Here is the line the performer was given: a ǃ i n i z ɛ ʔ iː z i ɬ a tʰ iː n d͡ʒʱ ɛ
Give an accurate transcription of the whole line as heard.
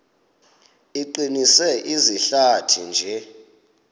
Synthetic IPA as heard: i ǃ i n i s ɛ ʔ i z i ɬ a tʰ i n d͡ʒʱ ɛ